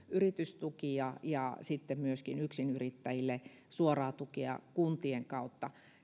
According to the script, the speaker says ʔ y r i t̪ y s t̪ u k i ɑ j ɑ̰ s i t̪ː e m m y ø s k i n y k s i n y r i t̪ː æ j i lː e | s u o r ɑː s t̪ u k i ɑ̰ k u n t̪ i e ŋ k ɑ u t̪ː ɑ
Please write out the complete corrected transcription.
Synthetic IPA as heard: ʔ y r i t̪ y s t̪ u k i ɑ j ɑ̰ s i t̪ː e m m y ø s k i n y k s i n y r i t̪ː æ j i lː e | s u o r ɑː t̪ u k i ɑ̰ k u n t̪ i e ŋ k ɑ u t̪ː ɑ